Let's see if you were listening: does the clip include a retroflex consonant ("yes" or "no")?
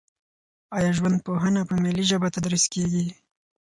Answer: no